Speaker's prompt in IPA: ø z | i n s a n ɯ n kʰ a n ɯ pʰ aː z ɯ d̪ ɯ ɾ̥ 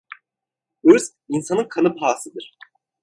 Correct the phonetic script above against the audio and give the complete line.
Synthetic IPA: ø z | i n s a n ɯ n kʰ a n ɯ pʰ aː s ɯ d̪ ɯ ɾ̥